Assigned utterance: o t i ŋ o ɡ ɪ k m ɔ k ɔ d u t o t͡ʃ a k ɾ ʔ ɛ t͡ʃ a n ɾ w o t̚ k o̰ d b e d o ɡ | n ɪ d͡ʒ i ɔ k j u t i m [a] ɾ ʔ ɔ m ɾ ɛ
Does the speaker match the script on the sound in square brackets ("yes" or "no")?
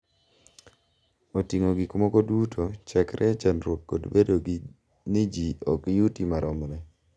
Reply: yes